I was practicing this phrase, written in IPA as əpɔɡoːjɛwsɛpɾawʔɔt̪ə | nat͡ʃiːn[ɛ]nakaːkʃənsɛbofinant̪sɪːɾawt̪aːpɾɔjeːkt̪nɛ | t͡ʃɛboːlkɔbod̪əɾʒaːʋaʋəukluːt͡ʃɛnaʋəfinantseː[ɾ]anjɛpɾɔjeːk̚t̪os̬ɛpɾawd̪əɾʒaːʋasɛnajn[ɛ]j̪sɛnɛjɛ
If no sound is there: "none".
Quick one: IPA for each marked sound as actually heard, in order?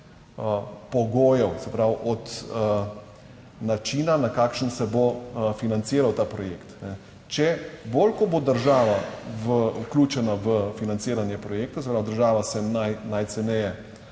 a, ɾ, a

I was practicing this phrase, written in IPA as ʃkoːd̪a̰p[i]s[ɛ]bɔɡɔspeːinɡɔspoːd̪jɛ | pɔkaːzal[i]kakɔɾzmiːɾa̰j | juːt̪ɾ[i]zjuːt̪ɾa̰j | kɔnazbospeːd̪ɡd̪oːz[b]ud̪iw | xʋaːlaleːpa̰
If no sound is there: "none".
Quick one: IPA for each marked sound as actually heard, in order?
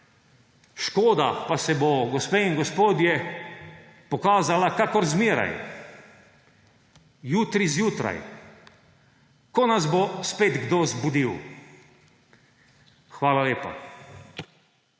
a, ɛ, a, i, b

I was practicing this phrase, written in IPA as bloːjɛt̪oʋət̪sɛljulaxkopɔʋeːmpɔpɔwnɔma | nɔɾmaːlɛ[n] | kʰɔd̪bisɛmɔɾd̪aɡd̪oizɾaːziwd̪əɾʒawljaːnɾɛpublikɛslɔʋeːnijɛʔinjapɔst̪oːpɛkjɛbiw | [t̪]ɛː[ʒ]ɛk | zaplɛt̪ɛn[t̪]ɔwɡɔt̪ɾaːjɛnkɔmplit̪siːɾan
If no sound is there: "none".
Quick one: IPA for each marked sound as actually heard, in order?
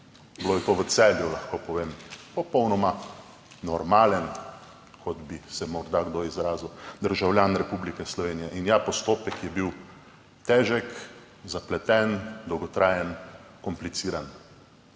n, t̪, ʒ, d̪

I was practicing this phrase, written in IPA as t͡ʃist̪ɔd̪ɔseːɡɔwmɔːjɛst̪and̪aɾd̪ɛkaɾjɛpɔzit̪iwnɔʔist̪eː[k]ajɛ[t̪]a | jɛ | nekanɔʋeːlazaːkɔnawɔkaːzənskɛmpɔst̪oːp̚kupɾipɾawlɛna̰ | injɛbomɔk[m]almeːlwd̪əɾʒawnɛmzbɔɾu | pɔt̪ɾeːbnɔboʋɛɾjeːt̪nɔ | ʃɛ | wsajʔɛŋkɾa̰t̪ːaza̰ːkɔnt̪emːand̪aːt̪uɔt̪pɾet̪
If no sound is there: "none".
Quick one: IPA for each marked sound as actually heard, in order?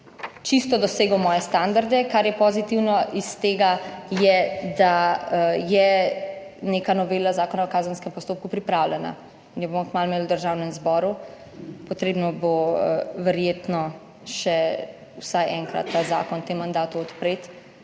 ɡ, d̪, m

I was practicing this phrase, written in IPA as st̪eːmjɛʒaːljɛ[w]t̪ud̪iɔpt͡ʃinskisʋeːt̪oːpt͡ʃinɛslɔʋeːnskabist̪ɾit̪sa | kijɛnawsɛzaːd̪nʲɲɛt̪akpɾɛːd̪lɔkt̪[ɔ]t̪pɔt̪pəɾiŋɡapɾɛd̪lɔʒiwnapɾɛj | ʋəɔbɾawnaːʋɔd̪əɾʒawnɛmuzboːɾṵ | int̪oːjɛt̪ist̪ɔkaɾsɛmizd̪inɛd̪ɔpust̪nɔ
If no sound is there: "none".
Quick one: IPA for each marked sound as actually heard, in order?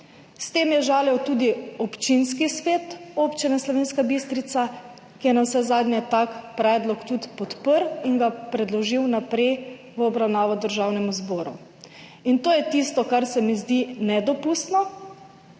w, u

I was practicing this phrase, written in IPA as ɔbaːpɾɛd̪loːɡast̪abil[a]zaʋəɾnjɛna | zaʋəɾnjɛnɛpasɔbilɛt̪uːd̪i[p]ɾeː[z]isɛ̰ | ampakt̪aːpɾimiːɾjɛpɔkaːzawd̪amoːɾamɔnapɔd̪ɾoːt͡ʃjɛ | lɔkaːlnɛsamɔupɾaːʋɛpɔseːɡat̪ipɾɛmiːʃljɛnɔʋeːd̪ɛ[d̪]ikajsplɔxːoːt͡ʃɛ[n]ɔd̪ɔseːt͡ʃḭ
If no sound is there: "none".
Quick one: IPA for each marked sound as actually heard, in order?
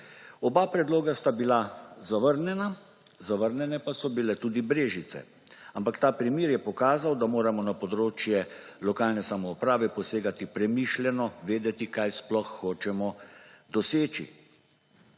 a, b, ʒ, t̪, m

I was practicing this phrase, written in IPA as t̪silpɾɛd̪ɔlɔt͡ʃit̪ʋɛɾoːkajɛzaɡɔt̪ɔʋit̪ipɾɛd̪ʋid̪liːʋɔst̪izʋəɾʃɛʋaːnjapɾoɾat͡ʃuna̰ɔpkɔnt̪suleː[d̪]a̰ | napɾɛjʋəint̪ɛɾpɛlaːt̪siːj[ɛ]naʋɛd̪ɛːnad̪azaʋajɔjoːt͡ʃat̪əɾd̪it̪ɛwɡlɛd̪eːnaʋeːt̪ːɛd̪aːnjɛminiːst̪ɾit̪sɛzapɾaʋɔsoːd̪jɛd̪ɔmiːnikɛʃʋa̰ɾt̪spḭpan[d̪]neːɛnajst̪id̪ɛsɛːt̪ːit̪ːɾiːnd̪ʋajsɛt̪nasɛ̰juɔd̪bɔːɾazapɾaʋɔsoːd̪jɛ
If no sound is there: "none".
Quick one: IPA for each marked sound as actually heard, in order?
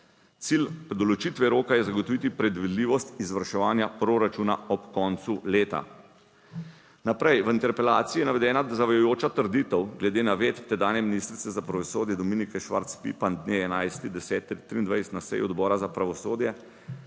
t̪, ɛ, d̪

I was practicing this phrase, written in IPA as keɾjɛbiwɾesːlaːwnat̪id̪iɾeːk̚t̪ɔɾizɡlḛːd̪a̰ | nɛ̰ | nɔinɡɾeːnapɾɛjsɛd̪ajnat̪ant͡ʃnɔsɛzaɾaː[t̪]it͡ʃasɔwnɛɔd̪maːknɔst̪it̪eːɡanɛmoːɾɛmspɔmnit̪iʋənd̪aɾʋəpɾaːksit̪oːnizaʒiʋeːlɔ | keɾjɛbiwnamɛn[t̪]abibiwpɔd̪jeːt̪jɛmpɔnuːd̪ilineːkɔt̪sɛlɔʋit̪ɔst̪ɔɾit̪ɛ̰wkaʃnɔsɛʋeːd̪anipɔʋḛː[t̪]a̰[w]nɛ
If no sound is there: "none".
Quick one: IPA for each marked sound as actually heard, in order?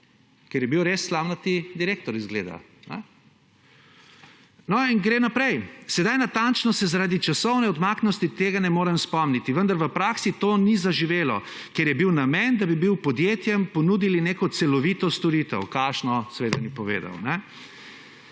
d̪, d̪, d̪, w

